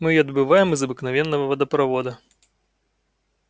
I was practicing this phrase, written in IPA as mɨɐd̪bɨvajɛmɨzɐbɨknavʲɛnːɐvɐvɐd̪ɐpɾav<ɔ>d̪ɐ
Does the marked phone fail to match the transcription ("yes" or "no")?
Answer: no